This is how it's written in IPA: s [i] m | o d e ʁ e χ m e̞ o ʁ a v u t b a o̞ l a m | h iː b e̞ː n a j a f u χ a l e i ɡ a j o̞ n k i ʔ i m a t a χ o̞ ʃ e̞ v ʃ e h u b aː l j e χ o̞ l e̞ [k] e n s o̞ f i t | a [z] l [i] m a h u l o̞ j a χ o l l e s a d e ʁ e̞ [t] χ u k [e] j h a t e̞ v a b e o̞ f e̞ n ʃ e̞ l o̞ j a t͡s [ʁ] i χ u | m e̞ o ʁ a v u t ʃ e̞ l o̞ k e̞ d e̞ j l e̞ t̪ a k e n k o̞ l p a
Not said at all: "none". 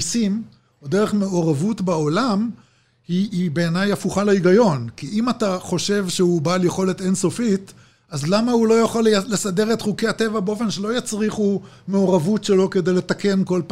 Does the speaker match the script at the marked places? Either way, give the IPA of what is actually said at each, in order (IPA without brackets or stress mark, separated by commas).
i, t, z, a, t, e, ʁ